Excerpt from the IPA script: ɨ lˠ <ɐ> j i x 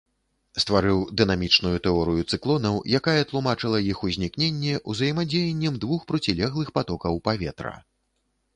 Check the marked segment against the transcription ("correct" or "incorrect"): correct